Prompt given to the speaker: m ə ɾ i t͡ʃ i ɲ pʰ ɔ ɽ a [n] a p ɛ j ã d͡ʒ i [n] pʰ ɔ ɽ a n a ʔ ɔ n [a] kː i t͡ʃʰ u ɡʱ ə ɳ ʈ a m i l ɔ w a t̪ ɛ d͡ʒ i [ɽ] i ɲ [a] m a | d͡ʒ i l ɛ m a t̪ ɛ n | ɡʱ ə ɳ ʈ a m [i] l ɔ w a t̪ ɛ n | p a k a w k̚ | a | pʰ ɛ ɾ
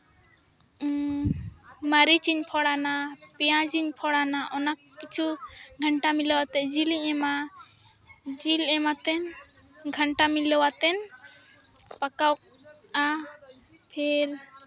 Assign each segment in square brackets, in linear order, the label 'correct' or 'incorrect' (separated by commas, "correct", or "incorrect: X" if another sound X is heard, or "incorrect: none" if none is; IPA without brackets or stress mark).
correct, incorrect: ɲ, correct, incorrect: l, incorrect: ɛ, correct